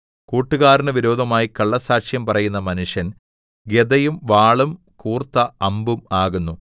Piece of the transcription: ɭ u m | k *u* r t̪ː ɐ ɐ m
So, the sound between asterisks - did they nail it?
no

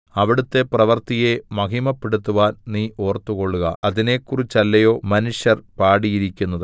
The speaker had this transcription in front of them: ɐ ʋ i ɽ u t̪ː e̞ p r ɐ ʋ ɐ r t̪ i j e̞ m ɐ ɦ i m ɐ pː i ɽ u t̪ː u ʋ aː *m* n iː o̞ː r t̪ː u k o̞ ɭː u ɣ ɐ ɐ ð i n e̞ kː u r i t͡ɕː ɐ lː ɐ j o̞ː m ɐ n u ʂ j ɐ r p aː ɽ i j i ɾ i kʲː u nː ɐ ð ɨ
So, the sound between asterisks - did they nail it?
no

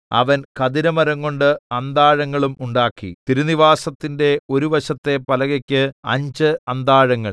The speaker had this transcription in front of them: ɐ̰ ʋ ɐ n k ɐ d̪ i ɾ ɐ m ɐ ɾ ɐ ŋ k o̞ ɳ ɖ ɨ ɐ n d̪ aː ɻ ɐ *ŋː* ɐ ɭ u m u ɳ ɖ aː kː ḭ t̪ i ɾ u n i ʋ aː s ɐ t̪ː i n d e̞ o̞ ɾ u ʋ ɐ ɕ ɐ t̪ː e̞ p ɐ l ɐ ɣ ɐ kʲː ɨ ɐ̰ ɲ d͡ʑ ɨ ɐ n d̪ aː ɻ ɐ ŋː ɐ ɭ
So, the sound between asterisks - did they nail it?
yes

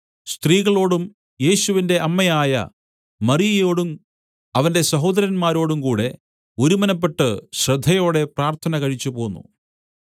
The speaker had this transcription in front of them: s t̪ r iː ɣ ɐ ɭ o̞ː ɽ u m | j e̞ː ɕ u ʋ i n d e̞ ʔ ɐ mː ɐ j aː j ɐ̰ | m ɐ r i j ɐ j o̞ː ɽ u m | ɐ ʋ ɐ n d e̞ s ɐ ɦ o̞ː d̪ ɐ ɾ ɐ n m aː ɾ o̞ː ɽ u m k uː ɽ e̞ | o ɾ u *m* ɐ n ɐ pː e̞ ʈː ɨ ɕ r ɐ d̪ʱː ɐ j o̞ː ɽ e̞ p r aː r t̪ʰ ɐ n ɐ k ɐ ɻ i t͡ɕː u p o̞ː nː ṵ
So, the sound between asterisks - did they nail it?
yes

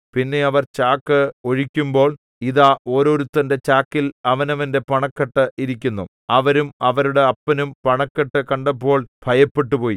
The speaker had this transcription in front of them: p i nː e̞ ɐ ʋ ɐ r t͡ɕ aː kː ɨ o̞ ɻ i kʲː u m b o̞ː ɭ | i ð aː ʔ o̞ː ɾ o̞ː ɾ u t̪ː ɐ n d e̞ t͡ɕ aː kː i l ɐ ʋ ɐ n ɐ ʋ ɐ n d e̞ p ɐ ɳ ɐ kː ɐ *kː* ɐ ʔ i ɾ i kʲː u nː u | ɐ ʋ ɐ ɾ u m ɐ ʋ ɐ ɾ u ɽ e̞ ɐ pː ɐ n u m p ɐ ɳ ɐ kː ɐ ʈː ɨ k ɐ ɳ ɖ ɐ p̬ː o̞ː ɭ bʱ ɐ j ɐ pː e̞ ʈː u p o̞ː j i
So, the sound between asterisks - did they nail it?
no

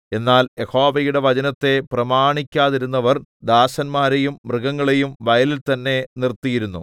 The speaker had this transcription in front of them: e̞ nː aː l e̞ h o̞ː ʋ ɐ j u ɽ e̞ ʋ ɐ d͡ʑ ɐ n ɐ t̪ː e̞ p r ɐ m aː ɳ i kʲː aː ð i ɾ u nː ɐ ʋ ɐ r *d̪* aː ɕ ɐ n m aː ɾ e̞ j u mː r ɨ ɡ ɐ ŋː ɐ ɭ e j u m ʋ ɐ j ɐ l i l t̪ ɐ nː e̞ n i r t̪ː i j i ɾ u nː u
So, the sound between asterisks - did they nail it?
yes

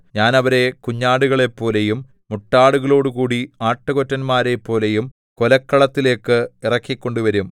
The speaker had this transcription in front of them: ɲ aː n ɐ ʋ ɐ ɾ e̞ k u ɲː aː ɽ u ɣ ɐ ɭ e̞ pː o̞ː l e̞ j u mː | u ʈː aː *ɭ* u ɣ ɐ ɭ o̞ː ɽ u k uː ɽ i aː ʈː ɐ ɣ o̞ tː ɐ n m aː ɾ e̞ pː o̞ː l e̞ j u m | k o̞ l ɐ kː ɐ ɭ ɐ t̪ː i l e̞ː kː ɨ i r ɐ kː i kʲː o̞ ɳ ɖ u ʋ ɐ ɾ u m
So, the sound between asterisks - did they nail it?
no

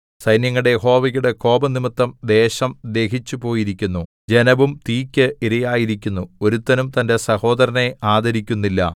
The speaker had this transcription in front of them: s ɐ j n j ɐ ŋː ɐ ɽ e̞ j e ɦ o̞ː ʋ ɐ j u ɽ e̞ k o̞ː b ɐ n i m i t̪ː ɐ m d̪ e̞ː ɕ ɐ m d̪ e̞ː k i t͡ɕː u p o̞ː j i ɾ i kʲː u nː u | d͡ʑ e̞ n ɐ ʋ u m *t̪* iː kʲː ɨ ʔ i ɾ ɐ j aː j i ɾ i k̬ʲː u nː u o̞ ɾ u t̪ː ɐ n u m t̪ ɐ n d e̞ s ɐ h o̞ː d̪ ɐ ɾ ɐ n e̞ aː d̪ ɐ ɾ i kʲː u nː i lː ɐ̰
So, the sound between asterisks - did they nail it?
yes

